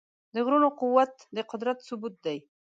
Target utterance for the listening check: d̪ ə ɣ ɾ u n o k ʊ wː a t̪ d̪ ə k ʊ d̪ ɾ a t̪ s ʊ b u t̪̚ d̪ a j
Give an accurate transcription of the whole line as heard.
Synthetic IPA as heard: d̪ ə ɣ ɾ u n o q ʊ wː a t̪ d̪ ə q ʊ d̪ ɾ a t̪ s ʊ b u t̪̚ d̪ a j